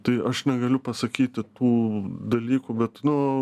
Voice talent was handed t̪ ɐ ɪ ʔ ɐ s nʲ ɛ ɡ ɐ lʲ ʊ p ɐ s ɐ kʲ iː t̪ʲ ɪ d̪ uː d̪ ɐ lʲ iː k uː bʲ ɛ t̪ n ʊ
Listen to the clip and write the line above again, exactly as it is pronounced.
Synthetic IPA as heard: t̪ ɐ ɪ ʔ ɐ ʃ nʲ ɛ ɡ ɐ lʲ ʊ p ɐ s ɐ kʲ iː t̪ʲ ɪ t̪ uː d̪ ɐ lʲ iː k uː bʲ ɛ t̪ n ʊ